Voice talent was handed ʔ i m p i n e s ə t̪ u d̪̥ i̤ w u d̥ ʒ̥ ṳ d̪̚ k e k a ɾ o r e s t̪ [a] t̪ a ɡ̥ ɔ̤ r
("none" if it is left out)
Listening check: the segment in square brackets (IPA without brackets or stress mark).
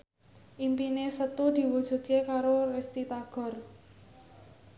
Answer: i